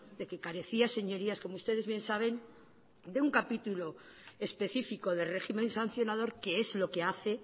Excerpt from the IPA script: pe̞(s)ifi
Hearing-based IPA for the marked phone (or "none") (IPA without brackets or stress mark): θ